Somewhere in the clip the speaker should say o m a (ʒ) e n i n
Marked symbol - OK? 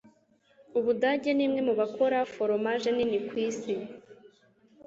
yes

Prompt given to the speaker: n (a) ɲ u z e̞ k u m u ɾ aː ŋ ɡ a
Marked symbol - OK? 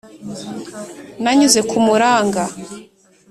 yes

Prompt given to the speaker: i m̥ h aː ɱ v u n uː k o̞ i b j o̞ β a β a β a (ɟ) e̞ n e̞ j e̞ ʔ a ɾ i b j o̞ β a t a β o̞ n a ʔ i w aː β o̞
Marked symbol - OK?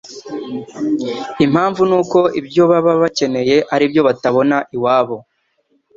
no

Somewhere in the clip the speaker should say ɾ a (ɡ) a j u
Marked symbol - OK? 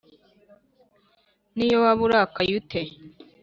no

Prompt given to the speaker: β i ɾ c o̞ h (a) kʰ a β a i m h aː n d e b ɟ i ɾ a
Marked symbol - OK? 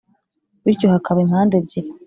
yes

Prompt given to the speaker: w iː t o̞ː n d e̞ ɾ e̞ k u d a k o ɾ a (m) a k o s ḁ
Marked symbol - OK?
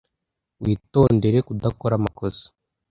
yes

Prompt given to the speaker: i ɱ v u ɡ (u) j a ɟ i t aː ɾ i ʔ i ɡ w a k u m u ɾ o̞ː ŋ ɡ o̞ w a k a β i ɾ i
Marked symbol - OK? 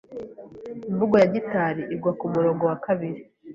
no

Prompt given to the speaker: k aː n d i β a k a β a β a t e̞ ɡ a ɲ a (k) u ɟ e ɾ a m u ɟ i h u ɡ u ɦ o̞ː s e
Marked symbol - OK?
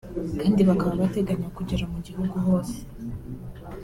yes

